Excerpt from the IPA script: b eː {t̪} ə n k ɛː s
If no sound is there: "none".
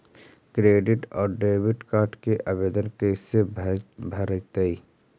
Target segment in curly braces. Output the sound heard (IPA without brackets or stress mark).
d̪